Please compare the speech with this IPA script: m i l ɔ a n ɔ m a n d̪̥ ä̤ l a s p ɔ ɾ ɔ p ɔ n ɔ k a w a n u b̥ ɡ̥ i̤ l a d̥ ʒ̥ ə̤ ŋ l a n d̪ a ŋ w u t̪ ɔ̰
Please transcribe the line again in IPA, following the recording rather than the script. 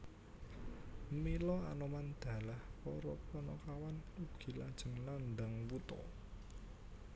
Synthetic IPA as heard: m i l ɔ a n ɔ m a n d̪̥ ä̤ l a h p ɔ ɾ ɔ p ɔ n ɔ k a w a n u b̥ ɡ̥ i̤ l a d̥ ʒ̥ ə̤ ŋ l a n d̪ a ŋ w u t̪ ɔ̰